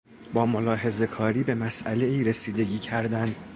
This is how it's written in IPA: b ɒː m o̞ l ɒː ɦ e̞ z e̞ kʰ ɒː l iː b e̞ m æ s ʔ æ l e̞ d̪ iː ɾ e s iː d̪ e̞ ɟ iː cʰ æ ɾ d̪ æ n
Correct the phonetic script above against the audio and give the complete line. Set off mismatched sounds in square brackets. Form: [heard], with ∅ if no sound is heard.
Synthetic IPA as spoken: b ɒː m o̞ l ɒː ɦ e̞ z e̞ kʰ ɒː [ɾ] iː b e̞ m æ s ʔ æ l e̞ [∅] iː ɾ e s iː d̪ e̞ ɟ iː cʰ æ ɾ d̪ æ n